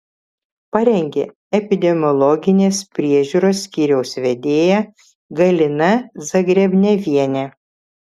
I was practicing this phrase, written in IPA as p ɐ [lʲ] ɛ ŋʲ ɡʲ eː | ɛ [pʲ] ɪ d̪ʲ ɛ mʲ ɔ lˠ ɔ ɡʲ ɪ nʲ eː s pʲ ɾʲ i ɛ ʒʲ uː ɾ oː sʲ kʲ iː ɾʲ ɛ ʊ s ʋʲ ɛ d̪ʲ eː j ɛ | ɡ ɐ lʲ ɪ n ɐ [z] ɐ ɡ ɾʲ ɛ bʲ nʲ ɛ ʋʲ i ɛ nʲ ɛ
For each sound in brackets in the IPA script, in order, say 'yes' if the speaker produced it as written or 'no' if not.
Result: no, yes, yes

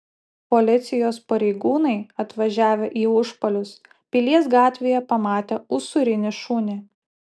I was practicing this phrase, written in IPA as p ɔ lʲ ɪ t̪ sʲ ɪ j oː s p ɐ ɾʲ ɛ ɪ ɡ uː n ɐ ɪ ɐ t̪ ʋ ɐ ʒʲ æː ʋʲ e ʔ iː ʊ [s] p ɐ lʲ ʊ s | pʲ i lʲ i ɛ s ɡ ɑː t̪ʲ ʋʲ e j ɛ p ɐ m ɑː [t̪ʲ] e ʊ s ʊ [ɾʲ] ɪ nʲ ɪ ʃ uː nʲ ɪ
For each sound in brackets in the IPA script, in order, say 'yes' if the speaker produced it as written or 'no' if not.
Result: no, yes, yes

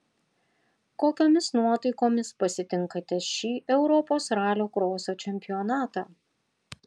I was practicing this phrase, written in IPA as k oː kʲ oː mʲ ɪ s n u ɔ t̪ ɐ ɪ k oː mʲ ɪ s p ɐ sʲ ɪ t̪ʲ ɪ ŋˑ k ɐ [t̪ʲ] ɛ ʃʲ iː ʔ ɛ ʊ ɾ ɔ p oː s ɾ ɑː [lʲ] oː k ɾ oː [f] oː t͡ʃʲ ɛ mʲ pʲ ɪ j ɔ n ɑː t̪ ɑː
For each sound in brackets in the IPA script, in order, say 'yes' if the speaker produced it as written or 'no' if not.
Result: yes, yes, no

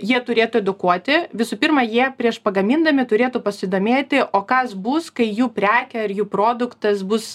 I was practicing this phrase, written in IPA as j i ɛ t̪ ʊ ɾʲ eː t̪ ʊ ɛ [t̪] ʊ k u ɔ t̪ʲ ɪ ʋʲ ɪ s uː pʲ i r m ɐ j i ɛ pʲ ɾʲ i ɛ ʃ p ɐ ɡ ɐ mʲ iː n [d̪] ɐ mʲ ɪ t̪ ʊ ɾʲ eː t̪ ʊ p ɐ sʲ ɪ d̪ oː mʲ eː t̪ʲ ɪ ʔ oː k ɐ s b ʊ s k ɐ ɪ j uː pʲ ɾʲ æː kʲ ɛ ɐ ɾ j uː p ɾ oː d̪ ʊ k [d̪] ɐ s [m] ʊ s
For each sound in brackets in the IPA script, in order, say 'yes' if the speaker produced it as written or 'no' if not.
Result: no, yes, no, no

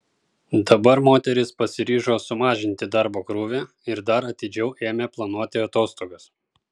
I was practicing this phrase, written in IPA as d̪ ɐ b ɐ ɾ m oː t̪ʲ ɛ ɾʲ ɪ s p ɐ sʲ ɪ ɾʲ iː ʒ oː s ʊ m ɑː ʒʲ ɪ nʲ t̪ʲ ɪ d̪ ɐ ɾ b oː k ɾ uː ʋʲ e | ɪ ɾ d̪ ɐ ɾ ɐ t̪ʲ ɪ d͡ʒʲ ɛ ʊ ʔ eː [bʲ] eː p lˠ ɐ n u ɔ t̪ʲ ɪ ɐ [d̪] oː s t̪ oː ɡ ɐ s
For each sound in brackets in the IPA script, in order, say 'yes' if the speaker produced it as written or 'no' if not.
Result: no, no

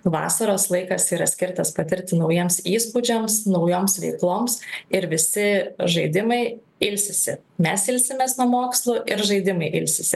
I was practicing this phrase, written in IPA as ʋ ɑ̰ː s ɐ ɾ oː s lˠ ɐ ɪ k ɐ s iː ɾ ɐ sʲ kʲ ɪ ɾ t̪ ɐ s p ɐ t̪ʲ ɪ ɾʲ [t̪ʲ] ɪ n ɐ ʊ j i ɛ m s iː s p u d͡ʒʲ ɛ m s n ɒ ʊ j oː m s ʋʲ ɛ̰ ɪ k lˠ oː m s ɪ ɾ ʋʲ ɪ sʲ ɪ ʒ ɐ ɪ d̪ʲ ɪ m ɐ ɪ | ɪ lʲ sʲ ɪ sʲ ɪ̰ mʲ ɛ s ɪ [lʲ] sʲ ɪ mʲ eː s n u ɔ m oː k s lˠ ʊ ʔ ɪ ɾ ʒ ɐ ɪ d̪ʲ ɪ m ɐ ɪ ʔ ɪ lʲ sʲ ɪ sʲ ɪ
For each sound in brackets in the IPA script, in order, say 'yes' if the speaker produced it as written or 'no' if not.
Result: yes, yes

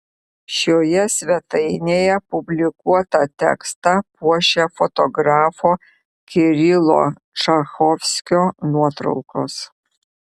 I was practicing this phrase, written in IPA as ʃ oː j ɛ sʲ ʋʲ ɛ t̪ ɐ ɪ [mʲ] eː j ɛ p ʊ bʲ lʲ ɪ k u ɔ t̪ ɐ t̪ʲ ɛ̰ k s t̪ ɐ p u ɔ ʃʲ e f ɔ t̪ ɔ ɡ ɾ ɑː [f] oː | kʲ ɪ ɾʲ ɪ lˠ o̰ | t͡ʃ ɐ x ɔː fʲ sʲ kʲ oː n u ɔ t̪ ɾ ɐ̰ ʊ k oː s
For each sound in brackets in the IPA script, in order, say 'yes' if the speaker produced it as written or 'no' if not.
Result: no, yes

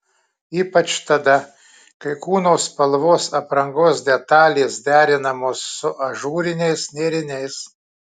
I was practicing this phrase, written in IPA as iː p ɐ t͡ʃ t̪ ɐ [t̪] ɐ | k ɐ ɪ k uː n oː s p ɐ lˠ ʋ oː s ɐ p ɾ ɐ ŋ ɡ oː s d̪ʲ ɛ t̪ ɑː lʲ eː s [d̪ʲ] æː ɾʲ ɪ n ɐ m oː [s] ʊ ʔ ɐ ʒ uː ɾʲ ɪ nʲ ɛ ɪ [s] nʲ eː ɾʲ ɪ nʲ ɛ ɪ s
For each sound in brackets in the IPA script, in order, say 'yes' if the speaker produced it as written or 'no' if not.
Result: no, yes, no, yes

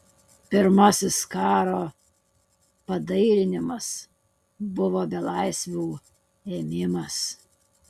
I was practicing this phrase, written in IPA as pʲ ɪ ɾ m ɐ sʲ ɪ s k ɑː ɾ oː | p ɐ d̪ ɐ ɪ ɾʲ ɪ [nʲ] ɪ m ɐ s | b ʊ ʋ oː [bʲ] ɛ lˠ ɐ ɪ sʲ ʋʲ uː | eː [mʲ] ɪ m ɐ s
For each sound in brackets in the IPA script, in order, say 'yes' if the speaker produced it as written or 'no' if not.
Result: yes, yes, yes

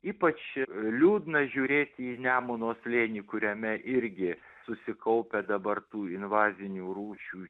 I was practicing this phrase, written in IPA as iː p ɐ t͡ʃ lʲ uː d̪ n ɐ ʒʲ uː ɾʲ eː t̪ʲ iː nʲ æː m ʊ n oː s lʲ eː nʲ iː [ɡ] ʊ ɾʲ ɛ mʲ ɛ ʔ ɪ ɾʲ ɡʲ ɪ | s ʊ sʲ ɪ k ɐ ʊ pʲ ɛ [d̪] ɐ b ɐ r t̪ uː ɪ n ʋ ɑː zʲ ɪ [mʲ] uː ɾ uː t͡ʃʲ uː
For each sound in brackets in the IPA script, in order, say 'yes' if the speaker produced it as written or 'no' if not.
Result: no, yes, no

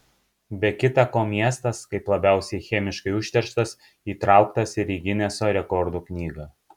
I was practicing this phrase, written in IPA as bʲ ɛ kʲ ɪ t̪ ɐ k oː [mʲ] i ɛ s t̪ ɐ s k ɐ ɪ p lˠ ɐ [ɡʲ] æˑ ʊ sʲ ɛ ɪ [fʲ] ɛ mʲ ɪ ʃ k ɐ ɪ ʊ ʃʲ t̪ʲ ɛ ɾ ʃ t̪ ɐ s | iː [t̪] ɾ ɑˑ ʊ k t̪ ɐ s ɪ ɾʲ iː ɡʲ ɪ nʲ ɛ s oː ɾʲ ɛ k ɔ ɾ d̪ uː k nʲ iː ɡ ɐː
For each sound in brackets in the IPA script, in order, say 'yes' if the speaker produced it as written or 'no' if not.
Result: yes, no, no, yes

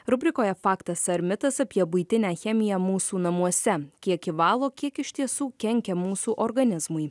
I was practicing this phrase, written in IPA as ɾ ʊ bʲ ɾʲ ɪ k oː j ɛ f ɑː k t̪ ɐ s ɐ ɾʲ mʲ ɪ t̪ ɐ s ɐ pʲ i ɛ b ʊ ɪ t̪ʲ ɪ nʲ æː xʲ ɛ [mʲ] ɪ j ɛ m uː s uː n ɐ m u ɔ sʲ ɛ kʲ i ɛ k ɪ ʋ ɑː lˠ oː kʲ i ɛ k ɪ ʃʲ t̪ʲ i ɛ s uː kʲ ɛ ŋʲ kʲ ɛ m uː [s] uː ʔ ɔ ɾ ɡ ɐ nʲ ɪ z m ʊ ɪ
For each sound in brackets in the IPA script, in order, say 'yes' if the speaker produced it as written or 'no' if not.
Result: yes, yes

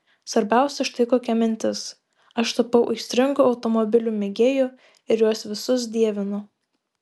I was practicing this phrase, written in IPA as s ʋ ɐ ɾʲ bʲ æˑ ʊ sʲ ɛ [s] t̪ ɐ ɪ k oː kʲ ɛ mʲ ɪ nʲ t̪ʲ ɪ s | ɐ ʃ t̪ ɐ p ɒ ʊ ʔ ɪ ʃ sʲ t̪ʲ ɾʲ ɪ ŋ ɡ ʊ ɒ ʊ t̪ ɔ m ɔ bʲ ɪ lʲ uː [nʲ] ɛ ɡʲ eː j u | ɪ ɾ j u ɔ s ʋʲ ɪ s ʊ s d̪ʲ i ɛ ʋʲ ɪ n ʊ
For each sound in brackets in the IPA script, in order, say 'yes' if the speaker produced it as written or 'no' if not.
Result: no, no

